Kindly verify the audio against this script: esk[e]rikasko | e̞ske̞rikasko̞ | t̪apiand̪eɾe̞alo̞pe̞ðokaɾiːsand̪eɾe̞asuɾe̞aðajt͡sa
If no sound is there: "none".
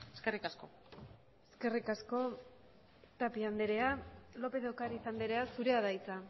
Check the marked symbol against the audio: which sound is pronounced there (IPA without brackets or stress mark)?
e